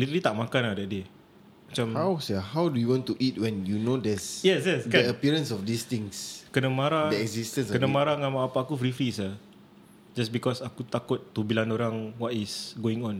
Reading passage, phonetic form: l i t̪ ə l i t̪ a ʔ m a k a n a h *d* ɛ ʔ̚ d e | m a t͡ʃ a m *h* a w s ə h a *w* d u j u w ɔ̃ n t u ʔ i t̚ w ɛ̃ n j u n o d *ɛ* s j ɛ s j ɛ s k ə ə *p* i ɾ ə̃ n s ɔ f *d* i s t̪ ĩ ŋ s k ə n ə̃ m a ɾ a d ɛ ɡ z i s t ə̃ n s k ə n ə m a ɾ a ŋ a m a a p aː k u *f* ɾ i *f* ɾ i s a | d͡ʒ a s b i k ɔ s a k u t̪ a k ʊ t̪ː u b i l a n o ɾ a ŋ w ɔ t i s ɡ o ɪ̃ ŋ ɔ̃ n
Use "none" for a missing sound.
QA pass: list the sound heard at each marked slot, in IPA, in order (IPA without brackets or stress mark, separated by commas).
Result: d, h, w, ɛ, p, d, f, f